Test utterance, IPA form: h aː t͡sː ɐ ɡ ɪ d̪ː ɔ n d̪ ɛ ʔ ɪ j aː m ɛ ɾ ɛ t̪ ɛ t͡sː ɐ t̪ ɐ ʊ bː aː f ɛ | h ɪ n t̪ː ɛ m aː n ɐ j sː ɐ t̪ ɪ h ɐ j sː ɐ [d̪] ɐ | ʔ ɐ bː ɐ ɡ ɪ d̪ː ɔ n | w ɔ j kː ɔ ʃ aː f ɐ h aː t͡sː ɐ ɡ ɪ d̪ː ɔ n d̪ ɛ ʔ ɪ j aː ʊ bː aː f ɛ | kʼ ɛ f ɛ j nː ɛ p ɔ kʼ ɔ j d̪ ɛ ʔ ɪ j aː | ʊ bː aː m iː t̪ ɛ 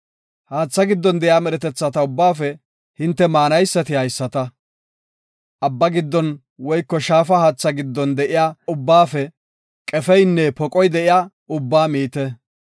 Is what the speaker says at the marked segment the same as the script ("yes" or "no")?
no